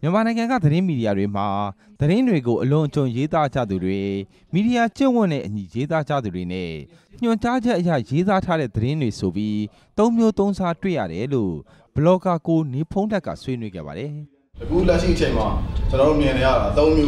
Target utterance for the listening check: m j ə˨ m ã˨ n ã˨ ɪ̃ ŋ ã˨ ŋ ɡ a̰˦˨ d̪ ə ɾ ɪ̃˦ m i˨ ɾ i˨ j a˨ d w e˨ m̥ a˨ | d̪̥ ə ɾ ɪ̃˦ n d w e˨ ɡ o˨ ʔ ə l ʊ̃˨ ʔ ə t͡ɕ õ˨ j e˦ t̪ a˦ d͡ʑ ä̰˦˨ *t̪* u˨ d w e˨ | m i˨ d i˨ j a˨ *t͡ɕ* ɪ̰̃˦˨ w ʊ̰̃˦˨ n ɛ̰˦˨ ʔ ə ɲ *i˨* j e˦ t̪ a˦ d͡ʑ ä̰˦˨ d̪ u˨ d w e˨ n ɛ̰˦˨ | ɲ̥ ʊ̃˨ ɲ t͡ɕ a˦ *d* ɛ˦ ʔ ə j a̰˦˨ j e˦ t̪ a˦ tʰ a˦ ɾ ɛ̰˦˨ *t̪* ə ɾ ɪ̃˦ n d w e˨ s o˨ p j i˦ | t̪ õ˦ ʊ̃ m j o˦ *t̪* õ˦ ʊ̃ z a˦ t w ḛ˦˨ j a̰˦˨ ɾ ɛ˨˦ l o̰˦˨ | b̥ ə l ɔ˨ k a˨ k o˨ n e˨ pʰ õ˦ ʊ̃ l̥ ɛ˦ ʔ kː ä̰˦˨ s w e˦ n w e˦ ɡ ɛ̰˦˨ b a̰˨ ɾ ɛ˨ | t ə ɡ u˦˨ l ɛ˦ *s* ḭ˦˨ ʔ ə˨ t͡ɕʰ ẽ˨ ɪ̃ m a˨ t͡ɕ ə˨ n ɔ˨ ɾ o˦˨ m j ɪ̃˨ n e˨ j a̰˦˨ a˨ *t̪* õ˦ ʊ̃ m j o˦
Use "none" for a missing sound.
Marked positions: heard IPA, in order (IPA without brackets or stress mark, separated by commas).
d̪, t͡ɕ, i˨, d͡ʑ, d̪, t̪, ʃ, t̪